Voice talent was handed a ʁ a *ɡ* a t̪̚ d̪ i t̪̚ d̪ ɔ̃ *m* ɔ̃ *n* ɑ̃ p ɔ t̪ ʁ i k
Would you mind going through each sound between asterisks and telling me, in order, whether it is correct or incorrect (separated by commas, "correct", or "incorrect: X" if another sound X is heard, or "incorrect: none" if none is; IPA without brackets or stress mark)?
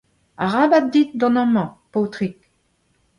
incorrect: b, incorrect: n, incorrect: m